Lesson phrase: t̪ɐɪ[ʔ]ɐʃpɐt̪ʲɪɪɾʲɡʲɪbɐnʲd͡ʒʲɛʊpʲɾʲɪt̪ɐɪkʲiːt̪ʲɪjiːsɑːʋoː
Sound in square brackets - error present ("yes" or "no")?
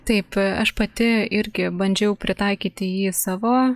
yes